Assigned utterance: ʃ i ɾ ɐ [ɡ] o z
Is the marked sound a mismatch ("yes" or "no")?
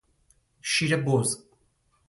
yes